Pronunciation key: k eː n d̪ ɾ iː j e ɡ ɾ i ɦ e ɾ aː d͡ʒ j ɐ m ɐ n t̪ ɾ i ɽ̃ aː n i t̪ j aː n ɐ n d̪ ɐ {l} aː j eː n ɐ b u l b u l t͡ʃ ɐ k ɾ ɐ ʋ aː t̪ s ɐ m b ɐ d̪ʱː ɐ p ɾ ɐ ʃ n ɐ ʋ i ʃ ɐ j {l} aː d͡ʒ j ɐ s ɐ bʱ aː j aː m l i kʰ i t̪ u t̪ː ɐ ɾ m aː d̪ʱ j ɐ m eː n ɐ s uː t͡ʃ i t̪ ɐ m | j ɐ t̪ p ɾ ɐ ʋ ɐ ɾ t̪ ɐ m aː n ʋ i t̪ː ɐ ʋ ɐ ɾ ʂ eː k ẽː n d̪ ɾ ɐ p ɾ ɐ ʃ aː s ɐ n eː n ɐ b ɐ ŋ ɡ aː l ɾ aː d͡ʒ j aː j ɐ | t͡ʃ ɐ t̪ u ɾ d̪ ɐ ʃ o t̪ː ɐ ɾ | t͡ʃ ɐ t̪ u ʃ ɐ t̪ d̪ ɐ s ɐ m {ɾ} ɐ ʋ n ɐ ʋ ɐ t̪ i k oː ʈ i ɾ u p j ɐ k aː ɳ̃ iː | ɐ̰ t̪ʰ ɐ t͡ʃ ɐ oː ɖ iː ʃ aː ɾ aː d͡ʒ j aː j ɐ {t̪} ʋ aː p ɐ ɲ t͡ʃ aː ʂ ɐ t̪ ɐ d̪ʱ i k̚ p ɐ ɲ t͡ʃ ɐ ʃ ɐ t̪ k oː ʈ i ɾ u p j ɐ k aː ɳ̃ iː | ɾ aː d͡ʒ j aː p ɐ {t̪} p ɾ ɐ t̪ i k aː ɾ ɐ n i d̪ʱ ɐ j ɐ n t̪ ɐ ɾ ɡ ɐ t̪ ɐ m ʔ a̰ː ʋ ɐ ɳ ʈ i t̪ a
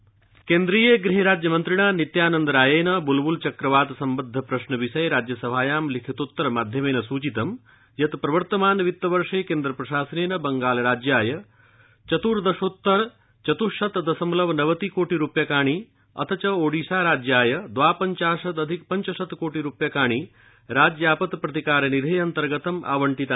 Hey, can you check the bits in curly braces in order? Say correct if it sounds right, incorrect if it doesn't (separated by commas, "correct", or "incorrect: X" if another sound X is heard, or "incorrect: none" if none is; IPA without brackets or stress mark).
incorrect: ɾ, incorrect: ɾ, incorrect: l, incorrect: d̪, correct